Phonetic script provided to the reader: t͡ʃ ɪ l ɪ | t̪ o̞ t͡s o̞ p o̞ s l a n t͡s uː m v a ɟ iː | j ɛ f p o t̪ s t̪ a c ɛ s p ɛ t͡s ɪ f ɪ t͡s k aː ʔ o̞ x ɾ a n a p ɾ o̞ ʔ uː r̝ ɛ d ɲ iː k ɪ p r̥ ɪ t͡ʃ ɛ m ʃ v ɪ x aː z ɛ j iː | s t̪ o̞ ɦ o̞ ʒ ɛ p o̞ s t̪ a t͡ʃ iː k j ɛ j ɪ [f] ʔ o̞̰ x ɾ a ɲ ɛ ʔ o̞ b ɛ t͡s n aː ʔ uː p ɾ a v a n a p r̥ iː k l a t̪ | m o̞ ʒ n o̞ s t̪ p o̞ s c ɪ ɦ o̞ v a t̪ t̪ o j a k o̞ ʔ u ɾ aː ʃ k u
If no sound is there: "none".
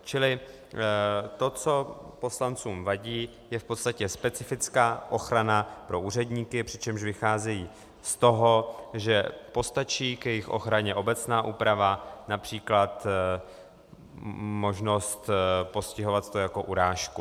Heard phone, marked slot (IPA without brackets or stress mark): x